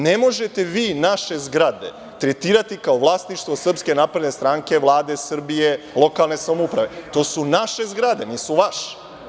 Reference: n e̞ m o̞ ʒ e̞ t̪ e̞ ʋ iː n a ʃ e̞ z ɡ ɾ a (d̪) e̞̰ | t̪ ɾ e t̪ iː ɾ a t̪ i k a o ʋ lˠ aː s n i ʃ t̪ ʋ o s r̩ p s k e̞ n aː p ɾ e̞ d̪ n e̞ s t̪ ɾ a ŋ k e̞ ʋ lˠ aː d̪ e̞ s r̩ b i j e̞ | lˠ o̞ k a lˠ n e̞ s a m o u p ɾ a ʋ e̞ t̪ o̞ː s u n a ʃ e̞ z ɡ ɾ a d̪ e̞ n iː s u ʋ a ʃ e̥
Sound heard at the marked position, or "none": d̪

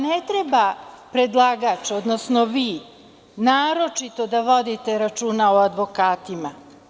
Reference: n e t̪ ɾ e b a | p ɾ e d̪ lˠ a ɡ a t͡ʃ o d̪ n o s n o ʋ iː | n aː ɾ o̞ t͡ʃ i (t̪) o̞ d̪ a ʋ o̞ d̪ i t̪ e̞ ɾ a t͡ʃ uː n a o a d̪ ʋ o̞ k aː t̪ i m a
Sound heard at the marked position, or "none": t̪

